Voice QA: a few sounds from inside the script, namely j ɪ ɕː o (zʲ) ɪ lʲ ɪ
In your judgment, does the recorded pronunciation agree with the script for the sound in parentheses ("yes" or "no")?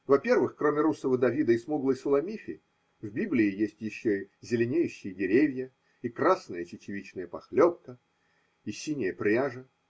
yes